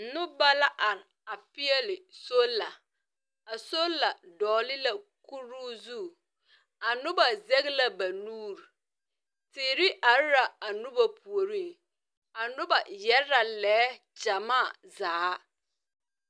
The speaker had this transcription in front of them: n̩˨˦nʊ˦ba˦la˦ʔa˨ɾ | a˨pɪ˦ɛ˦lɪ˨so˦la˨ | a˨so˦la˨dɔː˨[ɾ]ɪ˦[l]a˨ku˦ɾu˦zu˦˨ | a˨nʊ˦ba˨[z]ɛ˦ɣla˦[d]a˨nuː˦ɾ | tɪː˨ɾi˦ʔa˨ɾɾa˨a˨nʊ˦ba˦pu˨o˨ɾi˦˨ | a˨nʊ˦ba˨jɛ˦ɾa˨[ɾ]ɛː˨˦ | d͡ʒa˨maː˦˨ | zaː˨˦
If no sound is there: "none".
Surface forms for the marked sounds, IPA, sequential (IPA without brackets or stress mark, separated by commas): l, l, z, b, l